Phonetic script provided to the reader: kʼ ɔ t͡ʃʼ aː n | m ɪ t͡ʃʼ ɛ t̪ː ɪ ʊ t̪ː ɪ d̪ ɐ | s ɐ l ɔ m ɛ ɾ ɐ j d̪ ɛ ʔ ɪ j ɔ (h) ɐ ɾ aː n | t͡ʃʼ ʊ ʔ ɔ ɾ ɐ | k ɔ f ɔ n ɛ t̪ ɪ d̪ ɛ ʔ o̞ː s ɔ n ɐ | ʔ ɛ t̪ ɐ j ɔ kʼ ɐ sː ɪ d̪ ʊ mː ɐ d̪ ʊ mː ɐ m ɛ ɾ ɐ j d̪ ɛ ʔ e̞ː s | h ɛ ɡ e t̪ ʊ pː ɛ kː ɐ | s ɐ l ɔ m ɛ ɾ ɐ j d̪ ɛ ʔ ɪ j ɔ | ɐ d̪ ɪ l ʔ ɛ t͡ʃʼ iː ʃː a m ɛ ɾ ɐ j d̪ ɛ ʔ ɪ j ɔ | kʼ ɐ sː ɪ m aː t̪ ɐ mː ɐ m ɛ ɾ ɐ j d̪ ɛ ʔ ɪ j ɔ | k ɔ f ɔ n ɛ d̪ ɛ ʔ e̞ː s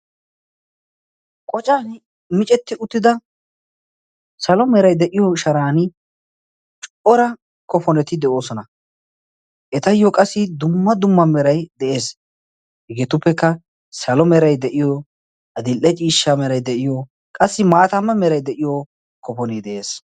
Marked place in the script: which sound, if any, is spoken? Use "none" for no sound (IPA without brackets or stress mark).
ʃ